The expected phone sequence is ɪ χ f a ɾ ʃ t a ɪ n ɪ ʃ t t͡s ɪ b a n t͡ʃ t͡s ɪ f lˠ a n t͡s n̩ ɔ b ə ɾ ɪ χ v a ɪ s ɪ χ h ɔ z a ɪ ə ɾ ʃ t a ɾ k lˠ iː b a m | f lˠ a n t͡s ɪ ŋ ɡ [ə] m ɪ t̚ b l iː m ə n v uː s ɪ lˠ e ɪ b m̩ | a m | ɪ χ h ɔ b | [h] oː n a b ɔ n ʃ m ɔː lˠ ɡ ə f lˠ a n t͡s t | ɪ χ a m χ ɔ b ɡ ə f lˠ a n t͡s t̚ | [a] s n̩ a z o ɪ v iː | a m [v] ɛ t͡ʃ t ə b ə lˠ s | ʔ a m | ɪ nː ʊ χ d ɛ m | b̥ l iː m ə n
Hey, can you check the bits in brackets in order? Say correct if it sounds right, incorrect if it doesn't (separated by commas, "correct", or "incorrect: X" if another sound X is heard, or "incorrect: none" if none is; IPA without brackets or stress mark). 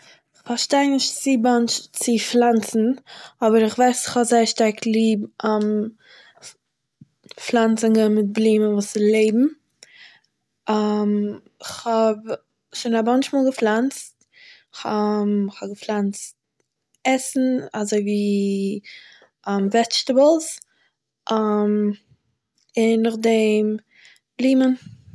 correct, incorrect: ʃ, incorrect: ɛ, correct